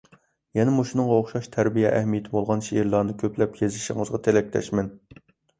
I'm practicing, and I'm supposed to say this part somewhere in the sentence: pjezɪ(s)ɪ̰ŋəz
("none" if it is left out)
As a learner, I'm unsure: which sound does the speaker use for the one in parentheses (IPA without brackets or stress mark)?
ʃ